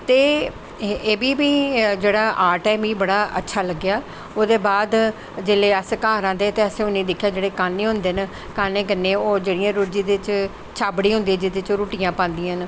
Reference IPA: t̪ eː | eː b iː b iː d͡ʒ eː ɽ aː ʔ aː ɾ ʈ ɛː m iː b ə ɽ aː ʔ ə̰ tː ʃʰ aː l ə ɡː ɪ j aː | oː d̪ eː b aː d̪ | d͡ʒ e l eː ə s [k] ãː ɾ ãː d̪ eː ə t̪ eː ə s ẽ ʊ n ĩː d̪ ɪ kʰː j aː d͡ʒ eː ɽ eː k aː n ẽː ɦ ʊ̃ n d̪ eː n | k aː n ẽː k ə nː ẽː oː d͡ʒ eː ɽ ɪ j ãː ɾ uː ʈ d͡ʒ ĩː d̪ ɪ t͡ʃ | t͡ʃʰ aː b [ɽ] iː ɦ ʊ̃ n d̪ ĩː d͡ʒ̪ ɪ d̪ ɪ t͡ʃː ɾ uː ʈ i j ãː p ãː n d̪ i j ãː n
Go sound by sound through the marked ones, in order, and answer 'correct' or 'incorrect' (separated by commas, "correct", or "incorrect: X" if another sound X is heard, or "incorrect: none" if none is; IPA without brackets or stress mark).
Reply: correct, correct